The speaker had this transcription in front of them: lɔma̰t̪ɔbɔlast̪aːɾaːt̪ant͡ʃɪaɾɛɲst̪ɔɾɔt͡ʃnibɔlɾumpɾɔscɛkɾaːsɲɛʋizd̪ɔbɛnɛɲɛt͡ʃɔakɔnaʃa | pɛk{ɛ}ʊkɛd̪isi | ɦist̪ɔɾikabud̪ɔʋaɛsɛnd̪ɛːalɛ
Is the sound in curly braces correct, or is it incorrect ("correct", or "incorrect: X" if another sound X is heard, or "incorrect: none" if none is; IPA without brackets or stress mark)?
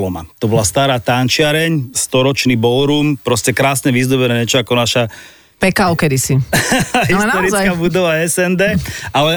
incorrect: a